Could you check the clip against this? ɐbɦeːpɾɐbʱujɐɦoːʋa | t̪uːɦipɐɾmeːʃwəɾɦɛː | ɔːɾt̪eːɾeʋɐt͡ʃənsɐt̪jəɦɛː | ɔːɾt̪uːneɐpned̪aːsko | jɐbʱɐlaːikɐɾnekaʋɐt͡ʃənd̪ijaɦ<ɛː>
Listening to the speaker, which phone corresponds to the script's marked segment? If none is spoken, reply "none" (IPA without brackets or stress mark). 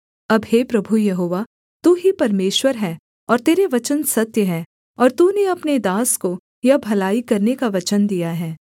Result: ɛː